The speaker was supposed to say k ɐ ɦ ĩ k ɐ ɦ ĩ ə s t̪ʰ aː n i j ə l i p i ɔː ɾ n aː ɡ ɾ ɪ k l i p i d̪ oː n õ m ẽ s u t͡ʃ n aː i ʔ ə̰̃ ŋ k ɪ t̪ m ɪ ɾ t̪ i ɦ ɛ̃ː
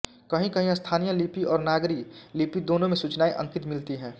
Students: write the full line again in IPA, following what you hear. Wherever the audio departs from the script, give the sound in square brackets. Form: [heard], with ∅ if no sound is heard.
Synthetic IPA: k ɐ ɦ ĩ k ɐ ɦ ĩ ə s t̪ʰ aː n i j ə l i p i ɔː ɾ n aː ɡ ɾ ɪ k l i p i d̪ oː n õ m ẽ s u t͡ʃ n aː i ʔ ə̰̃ ŋ k ɪ t̪ m ɪ [l] t̪ i ɦ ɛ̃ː